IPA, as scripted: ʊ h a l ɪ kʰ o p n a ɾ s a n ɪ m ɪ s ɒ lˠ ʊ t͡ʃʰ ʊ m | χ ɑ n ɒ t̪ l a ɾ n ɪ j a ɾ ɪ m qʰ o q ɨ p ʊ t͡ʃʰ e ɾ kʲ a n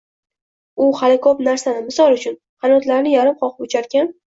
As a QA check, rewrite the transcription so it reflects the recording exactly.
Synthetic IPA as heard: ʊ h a l ɪ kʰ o p n a ɾ s a n ɪ m ɪ s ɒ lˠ ʊ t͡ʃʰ ʊ n | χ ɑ n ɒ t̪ l a ɾ n ɪ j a ɾ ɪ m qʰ ɒ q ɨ p ʊ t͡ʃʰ a ɾ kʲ a n